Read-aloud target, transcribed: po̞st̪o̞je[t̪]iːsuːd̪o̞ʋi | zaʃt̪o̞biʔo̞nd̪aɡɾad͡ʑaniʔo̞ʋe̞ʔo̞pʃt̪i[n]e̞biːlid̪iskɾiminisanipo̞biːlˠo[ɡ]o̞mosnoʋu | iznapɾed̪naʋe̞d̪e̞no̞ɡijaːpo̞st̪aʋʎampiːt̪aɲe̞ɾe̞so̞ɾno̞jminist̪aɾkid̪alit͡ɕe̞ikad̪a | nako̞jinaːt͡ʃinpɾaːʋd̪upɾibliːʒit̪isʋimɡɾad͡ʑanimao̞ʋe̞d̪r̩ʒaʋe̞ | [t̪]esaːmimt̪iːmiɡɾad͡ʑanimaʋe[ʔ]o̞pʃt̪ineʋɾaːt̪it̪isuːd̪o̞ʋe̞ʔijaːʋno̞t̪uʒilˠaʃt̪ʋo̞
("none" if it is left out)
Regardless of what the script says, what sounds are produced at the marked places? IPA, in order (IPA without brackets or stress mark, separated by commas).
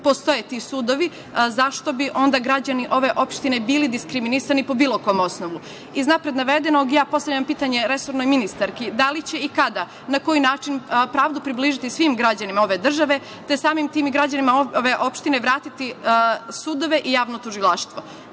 t̪, n, k, t̪, ʔ